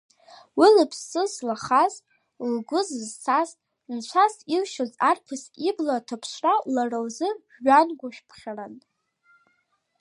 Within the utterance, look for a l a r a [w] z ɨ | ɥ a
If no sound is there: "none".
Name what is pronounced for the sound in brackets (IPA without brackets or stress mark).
w